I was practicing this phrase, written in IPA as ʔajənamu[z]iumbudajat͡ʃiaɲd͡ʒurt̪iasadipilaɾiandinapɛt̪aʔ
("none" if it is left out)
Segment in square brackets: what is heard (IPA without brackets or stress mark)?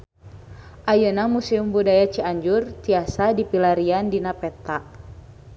s